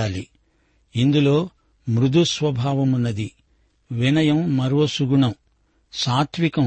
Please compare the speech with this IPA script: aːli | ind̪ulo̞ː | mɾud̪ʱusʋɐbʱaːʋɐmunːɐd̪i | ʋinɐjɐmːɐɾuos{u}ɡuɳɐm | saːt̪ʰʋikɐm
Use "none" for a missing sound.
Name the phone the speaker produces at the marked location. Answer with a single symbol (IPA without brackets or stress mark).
u